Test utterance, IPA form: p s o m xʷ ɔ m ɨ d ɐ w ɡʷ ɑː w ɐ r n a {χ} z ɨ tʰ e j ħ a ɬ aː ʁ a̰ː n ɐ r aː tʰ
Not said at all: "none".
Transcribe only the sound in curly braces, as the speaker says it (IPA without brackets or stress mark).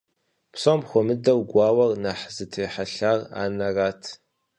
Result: ħ